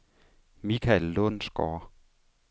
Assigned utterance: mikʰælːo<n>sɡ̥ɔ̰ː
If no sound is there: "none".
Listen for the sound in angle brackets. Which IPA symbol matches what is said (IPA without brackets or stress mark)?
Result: n